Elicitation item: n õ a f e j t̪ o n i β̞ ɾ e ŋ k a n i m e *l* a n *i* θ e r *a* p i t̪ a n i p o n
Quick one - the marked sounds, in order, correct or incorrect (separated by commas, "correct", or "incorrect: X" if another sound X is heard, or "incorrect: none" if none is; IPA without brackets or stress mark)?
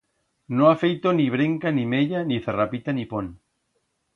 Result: incorrect: ʎ, correct, correct